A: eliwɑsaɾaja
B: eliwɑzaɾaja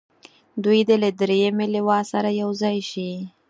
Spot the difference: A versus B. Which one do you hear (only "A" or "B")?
A